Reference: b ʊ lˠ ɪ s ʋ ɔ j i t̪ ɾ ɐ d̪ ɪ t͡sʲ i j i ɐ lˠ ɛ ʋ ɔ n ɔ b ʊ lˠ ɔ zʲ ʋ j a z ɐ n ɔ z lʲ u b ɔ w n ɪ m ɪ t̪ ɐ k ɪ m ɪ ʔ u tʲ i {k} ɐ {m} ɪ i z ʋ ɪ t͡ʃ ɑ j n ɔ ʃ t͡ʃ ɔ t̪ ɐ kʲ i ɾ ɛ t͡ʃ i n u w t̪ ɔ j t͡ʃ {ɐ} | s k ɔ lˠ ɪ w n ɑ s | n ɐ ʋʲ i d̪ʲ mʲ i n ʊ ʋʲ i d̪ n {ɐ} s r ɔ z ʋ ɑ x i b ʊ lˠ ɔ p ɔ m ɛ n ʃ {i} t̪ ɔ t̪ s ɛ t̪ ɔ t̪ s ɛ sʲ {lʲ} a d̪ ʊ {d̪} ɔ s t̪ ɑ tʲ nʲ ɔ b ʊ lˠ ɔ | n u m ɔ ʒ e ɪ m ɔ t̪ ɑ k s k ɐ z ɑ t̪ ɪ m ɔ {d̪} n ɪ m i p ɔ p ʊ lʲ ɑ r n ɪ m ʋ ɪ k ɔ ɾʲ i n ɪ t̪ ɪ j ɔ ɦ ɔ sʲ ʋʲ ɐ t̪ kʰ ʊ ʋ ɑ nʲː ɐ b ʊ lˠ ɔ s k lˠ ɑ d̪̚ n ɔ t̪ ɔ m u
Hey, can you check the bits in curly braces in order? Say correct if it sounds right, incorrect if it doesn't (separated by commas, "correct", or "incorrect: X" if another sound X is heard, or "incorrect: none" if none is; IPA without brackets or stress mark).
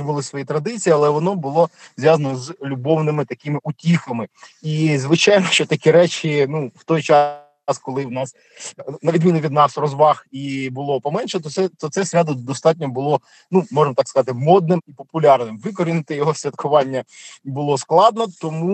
incorrect: x, correct, incorrect: ɑ, incorrect: ɑ, incorrect: ɛ, incorrect: ɾʲ, correct, correct